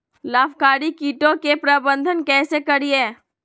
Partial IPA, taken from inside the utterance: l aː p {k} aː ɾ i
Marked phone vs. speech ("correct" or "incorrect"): correct